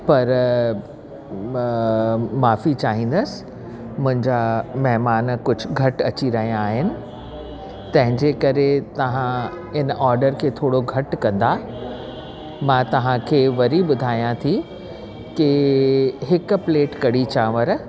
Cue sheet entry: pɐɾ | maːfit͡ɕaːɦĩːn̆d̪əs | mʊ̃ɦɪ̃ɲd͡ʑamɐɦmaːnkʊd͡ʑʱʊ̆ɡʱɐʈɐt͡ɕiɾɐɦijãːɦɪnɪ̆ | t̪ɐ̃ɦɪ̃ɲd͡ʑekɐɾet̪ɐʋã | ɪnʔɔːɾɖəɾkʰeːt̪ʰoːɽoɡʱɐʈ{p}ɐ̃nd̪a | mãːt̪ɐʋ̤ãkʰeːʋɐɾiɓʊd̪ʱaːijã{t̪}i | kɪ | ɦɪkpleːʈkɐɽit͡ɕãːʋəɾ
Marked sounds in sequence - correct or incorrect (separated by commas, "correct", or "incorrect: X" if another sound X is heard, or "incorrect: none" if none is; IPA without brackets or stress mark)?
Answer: incorrect: k, incorrect: t̪ʰ